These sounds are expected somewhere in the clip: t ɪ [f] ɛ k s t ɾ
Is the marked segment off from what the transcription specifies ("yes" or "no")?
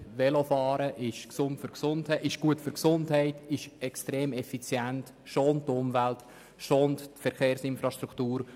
yes